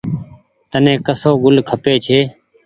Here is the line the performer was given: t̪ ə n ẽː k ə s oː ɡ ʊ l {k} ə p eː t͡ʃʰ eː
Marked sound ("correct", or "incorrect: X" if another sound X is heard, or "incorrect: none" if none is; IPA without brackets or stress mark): incorrect: kʰ